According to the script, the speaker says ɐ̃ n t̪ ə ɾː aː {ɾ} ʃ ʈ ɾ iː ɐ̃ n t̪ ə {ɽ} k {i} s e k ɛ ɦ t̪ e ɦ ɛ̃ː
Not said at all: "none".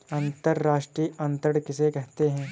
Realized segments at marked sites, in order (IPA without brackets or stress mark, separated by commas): none, ɽ, ɪ